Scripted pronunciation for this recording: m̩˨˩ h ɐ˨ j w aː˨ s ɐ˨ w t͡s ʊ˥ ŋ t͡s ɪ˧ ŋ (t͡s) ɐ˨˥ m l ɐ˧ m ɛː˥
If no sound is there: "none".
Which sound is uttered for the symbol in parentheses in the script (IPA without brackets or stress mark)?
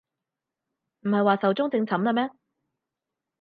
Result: t͡sʰ